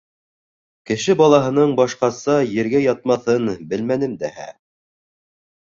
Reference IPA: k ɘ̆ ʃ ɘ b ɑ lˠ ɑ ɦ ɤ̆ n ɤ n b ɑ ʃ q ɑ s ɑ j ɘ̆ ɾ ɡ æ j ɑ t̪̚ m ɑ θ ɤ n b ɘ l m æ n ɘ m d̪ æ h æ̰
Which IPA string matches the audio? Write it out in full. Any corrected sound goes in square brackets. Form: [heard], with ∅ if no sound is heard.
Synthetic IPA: k ɘ̆ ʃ ɘ b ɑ lˠ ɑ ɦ ɤ̆ n ɤ [ɴ] b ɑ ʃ q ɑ s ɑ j ɘ̆ ɾ ɡ æ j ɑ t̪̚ m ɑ θ ɤ n b ɘ l m æ n ɘ m d̪ æ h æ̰